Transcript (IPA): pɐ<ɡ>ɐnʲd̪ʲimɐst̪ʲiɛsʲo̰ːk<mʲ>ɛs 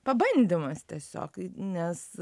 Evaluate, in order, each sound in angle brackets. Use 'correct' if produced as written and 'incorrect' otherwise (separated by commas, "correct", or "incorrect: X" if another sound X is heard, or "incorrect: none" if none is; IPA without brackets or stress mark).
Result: incorrect: b, incorrect: nʲ